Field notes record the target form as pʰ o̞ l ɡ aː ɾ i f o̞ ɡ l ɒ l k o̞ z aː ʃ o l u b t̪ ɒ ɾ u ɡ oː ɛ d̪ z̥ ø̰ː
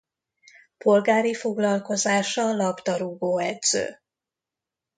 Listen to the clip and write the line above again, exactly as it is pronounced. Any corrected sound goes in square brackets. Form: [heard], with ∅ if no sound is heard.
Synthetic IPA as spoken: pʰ o̞ l ɡ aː ɾ i f o̞ ɡ l ɒ l k o̞ z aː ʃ [ɒ] l [ɒ] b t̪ ɒ ɾ u ɡ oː ɛ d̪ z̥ ø̰ː

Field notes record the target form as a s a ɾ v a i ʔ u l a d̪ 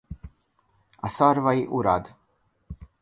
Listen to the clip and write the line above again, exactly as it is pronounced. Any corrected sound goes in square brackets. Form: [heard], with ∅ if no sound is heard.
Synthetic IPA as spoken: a s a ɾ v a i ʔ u [ɾ] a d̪

